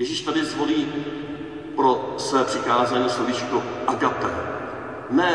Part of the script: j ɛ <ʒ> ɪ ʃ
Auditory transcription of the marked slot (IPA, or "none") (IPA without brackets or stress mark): ʒ